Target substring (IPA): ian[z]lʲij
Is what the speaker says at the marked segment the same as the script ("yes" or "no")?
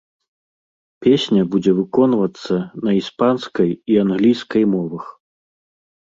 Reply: no